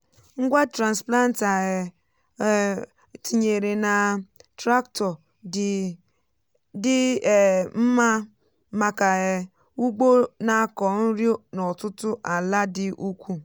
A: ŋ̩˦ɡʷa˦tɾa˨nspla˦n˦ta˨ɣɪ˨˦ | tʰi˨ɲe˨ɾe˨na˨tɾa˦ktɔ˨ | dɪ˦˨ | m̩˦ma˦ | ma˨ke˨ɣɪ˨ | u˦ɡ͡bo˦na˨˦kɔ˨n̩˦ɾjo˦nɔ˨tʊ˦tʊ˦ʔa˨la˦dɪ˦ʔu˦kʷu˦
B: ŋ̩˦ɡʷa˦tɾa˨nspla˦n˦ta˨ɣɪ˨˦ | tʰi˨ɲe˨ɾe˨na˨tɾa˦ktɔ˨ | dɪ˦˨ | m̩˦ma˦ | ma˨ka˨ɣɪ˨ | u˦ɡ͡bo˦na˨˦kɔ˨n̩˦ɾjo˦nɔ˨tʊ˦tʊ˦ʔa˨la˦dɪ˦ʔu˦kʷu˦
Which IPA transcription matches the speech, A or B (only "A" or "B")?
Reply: B